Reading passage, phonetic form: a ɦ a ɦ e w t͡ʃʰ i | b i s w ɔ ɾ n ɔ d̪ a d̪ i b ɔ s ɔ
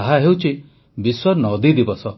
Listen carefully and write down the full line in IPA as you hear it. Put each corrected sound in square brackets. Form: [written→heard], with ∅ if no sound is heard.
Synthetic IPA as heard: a ɦ a ɦ e w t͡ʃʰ i | b i s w ɔ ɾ n ɔ d̪ [a→i] d̪ i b ɔ s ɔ

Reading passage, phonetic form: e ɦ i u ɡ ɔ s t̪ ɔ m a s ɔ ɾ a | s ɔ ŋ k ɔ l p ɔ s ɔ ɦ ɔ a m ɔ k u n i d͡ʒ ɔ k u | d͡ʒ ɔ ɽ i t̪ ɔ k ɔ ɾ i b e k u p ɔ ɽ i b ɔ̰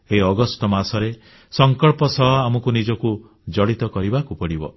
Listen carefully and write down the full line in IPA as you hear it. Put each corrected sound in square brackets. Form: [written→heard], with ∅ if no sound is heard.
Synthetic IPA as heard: e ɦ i [u→ɔ] ɡ ɔ s t̪ ɔ m a s ɔ ɾ [a→e] | s ɔ ŋ k ɔ [l→ɭ] p ɔ s ɔ ɦ ɔ a m ɔ k u n i d͡ʒ ɔ k u | d͡ʒ ɔ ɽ i t̪ ɔ k ɔ ɾ i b [e→a] k u p ɔ ɽ i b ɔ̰

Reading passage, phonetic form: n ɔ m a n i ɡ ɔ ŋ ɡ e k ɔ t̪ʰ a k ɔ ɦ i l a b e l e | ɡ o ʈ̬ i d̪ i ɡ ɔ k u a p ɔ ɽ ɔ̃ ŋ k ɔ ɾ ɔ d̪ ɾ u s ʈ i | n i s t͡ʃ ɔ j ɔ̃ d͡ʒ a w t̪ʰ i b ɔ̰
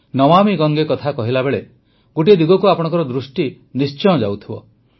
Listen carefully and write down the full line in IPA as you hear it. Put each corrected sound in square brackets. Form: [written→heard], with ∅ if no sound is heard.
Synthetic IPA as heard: n ɔ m a [n→m] i ɡ ɔ ŋ ɡ e k ɔ t̪ʰ a k ɔ ɦ i l a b e [l→ɭ] e | ɡ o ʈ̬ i d̪ i ɡ ɔ k u a p ɔ ɽ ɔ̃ ŋ k ɔ ɾ ɔ d̪ ɾ u s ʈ i | n i s t͡ʃ ɔ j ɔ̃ d͡ʒ a w t̪ʰ i b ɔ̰

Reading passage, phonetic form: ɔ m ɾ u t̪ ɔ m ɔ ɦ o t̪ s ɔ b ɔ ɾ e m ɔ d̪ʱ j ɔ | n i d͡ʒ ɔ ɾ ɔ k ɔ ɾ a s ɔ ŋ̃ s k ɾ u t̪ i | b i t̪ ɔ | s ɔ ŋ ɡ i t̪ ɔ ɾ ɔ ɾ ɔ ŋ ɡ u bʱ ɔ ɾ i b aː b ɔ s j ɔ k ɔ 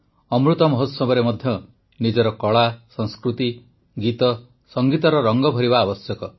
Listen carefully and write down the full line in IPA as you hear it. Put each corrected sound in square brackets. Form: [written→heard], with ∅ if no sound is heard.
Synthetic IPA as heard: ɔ m ɾ u t̪ ɔ m ɔ ɦ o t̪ s ɔ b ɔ ɾ e m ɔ d̪ʱ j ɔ | n i d͡ʒ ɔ ɾ ɔ k ɔ [ɾ→ɭ] a s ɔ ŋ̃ s k ɾ u t̪ i | [b→ɡ] i t̪ ɔ | s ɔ ŋ ɡ i t̪ ɔ ɾ ɔ ɾ ɔ ŋ ɡ [u→ɔ] bʱ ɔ ɾ i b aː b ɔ s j ɔ k ɔ

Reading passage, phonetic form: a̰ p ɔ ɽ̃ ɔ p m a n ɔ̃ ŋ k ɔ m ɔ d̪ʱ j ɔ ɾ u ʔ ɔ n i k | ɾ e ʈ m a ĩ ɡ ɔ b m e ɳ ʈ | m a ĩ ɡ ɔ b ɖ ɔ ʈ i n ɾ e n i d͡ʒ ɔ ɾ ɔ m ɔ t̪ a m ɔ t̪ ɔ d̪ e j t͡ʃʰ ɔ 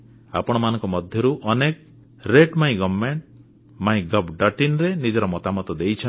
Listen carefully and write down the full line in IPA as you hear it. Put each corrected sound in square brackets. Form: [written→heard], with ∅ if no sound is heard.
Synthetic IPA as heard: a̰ p ɔ ɽ̃ ɔ [p→∅] m a n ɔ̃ ŋ k ɔ m ɔ d̪ʱ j ɔ ɾ u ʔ ɔ n [i→e] k | ɾ e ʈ m a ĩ ɡ ɔ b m e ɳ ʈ | m a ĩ ɡ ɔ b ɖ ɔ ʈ i n ɾ e n i d͡ʒ ɔ ɾ ɔ m ɔ t̪ a m ɔ t̪ ɔ d̪ e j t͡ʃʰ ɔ

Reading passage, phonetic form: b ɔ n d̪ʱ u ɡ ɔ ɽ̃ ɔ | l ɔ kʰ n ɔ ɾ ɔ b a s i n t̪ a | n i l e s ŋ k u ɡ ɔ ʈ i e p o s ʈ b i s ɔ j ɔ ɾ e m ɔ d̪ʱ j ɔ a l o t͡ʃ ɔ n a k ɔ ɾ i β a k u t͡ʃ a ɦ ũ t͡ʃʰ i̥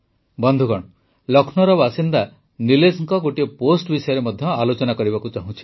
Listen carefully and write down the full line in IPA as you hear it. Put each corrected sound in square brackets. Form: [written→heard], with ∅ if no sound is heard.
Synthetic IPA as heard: b ɔ n d̪ʱ u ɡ ɔ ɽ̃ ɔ | l ɔ kʰ n ɔ ɾ ɔ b a s i n [t̪→d̪] a | n i l e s ŋ k [u→ɔ] ɡ [ɔ→o] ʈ i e p o s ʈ b i s ɔ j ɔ ɾ e m ɔ d̪ʱ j ɔ a l o t͡ʃ ɔ n a k ɔ ɾ i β a k u t͡ʃ a ɦ ũ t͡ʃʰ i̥

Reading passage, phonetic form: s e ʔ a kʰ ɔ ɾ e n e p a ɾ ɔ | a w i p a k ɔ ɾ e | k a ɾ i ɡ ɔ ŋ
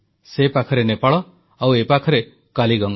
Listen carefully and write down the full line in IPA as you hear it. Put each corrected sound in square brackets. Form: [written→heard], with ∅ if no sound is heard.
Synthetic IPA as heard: s e [ʔ→p] a kʰ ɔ ɾ e n e p a [ɾ→ɭ] ɔ | a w [i→e] p a [k→kʰ] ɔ ɾ e | k a [ɾ→l] i ɡ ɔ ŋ

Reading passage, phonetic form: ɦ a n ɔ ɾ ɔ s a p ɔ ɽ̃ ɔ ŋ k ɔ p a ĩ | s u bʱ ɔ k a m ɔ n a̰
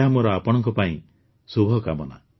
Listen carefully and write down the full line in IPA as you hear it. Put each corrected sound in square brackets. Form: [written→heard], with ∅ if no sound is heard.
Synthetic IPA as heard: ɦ a [n→m] ɔ ɾ ɔ [s→∅] a p ɔ ɽ̃ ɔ ŋ k ɔ p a ĩ | s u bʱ ɔ k a m ɔ n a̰

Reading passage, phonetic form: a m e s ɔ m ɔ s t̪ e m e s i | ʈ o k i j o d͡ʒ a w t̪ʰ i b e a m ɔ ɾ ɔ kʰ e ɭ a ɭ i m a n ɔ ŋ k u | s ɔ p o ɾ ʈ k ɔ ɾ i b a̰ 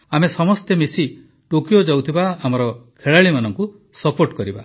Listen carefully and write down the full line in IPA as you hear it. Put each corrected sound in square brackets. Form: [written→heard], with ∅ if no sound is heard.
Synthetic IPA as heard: a m e s ɔ m ɔ s t̪ e m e s i | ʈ o k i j o d͡ʒ a w t̪ʰ i b [e→a] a m ɔ ɾ ɔ kʰ e ɭ a ɭ i m a n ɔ ŋ k u | s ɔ p o ɾ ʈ k ɔ ɾ i b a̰

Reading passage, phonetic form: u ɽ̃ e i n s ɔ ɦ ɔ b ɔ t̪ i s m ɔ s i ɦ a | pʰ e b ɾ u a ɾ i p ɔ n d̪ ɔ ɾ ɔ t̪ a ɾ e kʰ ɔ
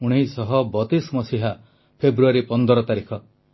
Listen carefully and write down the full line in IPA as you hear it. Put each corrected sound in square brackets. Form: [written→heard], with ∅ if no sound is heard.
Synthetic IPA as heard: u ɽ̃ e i [n→∅] s ɔ ɦ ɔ b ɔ t̪ i s m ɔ s i ɦ a | pʰ e b ɾ u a ɾ i p ɔ n d̪ ɔ ɾ ɔ t̪ a ɾ [e→i] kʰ ɔ

